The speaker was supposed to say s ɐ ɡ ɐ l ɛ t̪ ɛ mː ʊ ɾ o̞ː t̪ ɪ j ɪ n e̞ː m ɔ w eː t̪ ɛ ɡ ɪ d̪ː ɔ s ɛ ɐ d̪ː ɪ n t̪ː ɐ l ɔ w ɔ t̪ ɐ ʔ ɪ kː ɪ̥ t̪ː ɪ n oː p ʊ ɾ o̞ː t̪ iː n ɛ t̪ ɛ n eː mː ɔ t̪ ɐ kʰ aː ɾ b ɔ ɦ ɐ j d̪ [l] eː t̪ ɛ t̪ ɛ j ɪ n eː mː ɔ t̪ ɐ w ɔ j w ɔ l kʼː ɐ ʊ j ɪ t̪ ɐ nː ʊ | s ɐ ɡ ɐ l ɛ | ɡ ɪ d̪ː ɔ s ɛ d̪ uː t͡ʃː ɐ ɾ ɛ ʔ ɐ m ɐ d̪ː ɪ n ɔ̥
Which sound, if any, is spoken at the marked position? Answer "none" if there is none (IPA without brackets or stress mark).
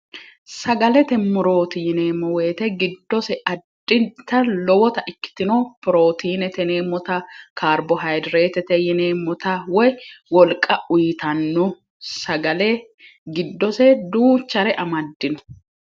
ɾ